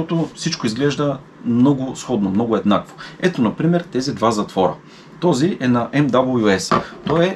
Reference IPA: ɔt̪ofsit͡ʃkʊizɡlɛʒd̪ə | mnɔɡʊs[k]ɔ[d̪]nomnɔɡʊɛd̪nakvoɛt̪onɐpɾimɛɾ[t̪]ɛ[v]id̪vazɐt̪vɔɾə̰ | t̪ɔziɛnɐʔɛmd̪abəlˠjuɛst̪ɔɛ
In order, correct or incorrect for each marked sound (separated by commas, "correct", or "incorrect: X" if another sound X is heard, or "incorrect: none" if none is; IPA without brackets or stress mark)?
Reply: incorrect: x, correct, correct, incorrect: z